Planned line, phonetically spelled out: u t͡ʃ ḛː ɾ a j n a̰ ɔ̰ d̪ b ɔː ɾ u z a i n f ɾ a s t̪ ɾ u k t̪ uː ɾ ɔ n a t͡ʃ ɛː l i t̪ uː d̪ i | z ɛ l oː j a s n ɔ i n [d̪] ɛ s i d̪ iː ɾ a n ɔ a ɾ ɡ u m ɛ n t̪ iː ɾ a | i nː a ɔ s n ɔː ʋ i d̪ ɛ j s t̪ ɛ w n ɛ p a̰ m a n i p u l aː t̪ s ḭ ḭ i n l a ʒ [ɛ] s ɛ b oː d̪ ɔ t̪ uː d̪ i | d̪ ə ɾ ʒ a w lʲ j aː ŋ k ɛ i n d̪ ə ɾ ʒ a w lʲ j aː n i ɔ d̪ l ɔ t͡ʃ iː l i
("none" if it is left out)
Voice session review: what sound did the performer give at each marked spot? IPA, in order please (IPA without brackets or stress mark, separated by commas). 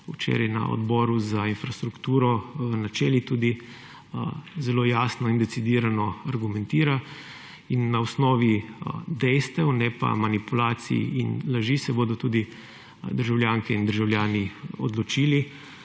d̪, i